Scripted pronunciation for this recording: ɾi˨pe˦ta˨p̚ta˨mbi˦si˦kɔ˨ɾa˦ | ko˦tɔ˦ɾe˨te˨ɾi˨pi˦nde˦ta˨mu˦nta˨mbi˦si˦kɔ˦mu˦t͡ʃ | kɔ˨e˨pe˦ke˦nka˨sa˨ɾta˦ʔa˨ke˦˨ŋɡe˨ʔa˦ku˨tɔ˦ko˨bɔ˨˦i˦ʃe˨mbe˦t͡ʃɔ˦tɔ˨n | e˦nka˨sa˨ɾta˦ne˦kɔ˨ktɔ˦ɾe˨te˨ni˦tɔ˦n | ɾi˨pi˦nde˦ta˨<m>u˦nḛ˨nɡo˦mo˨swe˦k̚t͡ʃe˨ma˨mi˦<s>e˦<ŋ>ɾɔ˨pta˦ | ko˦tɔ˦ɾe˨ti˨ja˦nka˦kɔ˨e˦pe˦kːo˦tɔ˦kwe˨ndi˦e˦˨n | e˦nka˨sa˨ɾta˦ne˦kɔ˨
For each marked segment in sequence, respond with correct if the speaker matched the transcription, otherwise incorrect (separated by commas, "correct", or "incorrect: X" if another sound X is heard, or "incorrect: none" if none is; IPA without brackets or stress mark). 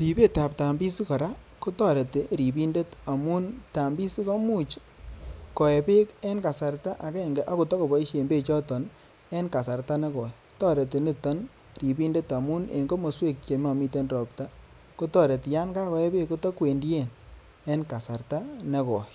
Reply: correct, incorrect: t, incorrect: n